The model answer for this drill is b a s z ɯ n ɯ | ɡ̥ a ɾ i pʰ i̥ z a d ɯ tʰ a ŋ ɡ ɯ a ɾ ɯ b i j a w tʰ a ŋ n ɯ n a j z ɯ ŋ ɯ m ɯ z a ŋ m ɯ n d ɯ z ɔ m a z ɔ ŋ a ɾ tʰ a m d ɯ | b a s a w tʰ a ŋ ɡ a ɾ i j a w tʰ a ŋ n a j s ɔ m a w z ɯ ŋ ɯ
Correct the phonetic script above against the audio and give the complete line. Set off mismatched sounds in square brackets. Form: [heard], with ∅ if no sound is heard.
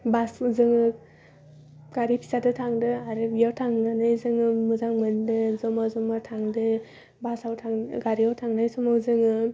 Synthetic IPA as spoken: b a s z ɯ [ŋ] ɯ | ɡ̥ a ɾ i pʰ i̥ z a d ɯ tʰ a ŋ [d] ɯ a ɾ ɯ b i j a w tʰ a ŋ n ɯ n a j z ɯ ŋ ɯ m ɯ z a ŋ m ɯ n d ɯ z ɔ m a z ɔ [m] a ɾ tʰ a [ŋ] d ɯ | b a s a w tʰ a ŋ ɡ a ɾ i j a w tʰ a ŋ n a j s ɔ m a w z ɯ ŋ ɯ